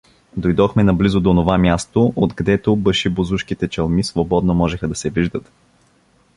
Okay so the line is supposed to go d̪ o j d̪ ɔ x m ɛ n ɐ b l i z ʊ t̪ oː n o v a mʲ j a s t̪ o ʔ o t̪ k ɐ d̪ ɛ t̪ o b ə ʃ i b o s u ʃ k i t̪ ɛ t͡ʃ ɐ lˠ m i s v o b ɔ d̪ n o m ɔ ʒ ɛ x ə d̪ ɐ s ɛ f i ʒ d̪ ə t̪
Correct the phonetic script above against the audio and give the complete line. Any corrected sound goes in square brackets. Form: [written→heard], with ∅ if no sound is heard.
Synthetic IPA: d̪ o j d̪ ɔ x m ɛ n ɐ b l i z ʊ [t̪→d̪] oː n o v a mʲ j a s t̪ o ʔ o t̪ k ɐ d̪ ɛ t̪ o b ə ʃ i b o [s→z] u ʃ k i t̪ ɛ t͡ʃ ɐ lˠ m i s v o b ɔ d̪ n o m ɔ ʒ ɛ x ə d̪ ɐ s ɛ [f→v] i ʒ d̪ ə t̪